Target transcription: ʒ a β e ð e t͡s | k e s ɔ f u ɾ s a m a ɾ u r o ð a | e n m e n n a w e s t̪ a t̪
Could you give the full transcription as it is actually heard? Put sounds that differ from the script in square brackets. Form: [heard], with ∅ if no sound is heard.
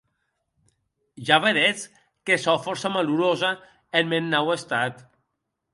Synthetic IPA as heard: ʒ a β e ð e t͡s | k e s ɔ f [ɔ] ɾ s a m a [l] u [ɾ] o [z] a | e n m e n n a w e s t̪ a t̪

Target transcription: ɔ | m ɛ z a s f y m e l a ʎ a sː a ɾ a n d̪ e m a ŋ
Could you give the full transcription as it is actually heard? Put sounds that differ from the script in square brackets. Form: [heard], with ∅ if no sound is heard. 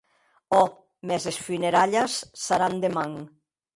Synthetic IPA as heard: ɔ | m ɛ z [e] s f y [n] e [ɾ] a ʎ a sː a ɾ a n d̪ e m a ŋ

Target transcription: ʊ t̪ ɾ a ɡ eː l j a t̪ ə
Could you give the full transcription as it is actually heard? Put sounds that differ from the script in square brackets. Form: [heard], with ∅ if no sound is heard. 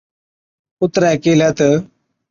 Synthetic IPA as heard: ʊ t̪ ɾ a [k] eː l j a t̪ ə

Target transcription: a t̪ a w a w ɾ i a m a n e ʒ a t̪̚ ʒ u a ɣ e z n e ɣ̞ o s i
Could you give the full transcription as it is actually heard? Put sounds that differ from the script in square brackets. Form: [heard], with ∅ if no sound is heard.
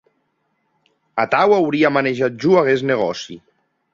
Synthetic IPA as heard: a t̪ a w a w ɾ i a m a n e ʒ a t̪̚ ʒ u a ɣ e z n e ɣ̞ [ɔ] s i

